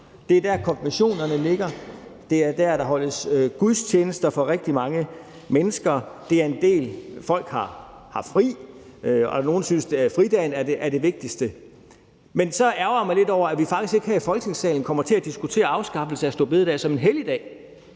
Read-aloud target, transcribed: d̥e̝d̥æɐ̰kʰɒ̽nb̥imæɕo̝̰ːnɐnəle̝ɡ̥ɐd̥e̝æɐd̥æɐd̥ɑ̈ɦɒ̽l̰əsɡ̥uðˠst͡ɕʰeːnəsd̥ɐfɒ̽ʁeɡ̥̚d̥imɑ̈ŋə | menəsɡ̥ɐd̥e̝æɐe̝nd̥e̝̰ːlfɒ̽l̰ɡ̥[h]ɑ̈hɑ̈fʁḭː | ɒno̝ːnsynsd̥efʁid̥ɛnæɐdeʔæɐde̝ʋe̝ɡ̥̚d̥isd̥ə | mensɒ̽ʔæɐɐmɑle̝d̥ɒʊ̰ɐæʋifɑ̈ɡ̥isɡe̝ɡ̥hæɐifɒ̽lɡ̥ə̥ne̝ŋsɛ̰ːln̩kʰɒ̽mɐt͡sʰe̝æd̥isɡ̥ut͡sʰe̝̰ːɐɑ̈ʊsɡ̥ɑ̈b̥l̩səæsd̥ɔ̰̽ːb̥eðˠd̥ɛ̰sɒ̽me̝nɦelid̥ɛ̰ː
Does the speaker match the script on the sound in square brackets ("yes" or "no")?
yes